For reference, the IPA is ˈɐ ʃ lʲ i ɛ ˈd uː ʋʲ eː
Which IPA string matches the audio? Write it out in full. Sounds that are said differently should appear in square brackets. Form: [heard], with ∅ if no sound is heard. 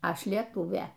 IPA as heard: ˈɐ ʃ lʲ i ɛ [ˈt] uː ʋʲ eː